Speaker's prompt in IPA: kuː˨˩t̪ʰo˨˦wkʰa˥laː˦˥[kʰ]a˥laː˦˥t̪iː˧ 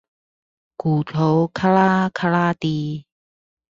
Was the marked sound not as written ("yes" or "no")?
no